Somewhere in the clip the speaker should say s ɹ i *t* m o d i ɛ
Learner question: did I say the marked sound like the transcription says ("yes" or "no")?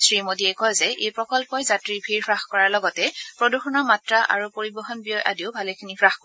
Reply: no